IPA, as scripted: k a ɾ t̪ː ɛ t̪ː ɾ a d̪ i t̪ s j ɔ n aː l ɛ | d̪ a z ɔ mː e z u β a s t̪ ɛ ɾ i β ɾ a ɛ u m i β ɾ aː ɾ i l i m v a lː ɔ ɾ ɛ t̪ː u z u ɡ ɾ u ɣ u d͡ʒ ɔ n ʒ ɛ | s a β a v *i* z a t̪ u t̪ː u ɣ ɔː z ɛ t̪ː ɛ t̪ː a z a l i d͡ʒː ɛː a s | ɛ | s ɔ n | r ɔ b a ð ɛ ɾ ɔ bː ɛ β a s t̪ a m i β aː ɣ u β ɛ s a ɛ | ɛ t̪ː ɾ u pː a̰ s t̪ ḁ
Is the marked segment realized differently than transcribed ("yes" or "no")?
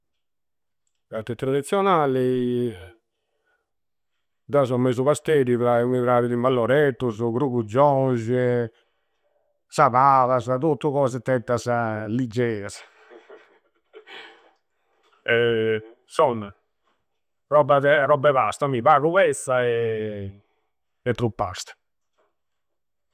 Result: yes